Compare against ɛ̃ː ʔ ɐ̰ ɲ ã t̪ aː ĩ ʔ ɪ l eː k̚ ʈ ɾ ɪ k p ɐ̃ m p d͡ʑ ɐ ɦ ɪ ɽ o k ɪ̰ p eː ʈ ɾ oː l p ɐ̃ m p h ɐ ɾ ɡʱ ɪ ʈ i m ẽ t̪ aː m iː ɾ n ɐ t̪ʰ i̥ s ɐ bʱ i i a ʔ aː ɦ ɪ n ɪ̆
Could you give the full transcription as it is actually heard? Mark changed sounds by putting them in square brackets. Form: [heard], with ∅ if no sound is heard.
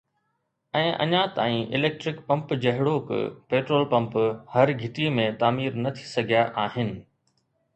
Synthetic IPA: ɛ̃ː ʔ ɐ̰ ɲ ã t̪ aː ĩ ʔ ɪ l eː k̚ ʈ ɾ ɪ k p ɐ̃ m p d͡ʑ ɐ ɦ ɪ ɽ o k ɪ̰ p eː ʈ ɾ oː l p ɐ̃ m p h ɐ ɾ ɡʱ ɪ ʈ i m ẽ t̪ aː m iː ɾ n ɐ t̪ʰ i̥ s ɐ [ɡʱ] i [j] a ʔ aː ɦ ɪ n ɪ̆

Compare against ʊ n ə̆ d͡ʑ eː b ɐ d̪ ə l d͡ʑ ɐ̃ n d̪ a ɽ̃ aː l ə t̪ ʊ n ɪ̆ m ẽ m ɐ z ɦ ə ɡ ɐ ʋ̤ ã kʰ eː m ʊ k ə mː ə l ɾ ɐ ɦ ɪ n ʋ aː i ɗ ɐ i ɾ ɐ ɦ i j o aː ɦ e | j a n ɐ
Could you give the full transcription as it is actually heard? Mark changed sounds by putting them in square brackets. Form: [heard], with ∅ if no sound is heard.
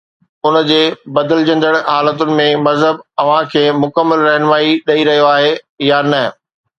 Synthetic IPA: ʊ n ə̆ d͡ʑ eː b ɐ d̪ ə l d͡ʑ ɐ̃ n d̪ [ə] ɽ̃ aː l ə t̪ ʊ n ɪ̆ m ẽ m ɐ z ɦ ə [b] ɐ ʋ̤ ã kʰ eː m ʊ k ə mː ə l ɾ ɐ ɦ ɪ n ʋ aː i ɗ ɐ i ɾ ɐ ɦ i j o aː ɦ e | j a n ɐ

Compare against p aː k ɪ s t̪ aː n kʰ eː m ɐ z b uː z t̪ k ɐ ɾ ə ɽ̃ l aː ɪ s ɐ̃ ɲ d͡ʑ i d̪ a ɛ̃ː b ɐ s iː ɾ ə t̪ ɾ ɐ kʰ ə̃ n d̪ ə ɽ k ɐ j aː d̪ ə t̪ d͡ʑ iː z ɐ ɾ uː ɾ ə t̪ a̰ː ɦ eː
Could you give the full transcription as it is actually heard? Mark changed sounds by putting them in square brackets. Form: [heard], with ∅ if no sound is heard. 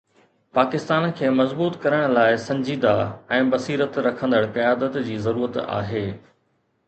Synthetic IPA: p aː k ɪ s t̪ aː n kʰ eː m ɐ z b uː [∅] t̪ k ɐ ɾ ə ɽ̃ l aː ɪ s ɐ̃ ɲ d͡ʑ [iː] d̪ a ɛ̃ː b ɐ s iː ɾ ə t̪ ɾ ɐ kʰ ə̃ n d̪ ə ɽ k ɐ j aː d̪ ə t̪ d͡ʑ iː z ɐ ɾ uː ɾ ə t̪ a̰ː ɦ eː

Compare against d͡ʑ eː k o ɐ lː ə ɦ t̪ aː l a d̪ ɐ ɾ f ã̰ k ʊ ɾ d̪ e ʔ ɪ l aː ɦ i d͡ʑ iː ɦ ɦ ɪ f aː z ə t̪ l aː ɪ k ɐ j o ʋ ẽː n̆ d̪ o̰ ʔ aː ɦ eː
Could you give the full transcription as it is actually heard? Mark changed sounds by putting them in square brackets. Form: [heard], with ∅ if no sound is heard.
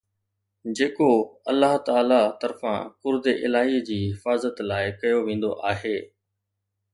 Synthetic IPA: d͡ʑ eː k o ɐ lː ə ɦ t̪ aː l a [t̪] ɐ ɾ f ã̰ k ʊ ɾ d̪ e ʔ ɪ l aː ɦ i d͡ʑ iː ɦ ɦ ɪ f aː z ə t̪ l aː ɪ k ɐ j o ʋ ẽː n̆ d̪ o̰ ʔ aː ɦ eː

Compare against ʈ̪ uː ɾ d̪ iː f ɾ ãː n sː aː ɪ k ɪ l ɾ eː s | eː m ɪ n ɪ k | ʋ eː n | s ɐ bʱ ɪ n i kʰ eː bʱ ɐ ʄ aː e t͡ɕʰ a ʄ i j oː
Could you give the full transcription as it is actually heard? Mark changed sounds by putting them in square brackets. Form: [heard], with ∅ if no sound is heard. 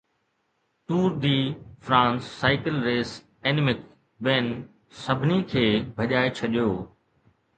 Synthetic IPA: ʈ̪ uː ɾ d̪ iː f ɾ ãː n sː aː ɪ k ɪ l ɾ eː s | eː [n] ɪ [m] ɪ k | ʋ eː n | s ɐ bʱ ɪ n i kʰ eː bʱ ɐ ʄ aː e t͡ɕʰ [ɐ] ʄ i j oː

